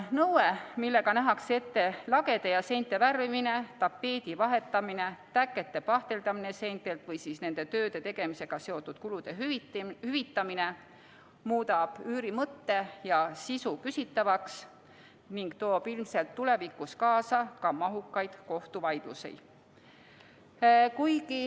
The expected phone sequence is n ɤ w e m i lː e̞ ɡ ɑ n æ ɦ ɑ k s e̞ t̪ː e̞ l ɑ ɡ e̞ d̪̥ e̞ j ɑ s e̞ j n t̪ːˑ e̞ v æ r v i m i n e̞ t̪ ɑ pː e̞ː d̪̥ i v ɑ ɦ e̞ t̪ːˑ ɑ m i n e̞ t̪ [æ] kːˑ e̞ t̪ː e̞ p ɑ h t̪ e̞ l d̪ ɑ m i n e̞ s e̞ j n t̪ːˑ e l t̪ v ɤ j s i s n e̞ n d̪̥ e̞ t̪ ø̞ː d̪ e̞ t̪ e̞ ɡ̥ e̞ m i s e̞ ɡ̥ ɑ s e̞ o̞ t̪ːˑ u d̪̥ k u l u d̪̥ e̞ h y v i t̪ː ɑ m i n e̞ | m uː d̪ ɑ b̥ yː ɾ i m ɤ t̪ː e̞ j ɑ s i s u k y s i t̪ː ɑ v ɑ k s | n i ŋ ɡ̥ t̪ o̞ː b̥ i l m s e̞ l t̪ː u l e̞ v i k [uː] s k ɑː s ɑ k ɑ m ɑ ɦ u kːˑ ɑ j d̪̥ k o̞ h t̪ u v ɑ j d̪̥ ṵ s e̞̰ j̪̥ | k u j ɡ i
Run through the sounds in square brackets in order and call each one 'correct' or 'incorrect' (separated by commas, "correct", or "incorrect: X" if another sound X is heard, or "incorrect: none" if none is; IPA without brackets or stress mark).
correct, incorrect: u